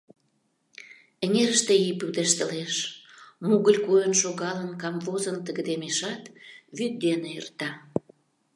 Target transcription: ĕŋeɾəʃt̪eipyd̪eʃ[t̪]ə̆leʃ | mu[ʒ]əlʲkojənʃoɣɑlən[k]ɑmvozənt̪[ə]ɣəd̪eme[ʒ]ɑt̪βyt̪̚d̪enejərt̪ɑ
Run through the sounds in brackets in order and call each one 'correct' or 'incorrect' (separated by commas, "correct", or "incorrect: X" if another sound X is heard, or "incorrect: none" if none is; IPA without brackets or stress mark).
correct, incorrect: ɣ, correct, correct, incorrect: ʃ